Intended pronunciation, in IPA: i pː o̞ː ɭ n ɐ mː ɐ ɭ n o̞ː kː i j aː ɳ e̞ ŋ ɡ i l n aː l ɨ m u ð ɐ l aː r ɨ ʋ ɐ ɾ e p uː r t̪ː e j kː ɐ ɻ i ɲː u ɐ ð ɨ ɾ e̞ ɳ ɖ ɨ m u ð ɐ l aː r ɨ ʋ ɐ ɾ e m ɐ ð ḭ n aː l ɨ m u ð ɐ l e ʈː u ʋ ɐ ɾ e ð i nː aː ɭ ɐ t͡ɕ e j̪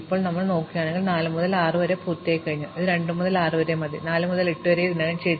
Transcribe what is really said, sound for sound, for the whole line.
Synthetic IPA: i pː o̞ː ɭ n ɐ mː ɐ ɭ n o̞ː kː i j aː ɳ e̞ ŋ ɡ i l n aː l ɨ m u ð ɐ l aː r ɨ ʋ ɐ ɾ e p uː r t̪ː e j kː ɐ ɻ i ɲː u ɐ ð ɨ ɾ e̞ ɳ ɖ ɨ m u ð ɐ l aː r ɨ ʋ ɐ ɾ e m ɐ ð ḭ n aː l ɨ m u ð ɐ l e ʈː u ʋ ɐ ɾ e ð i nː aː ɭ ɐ t͡ɕ e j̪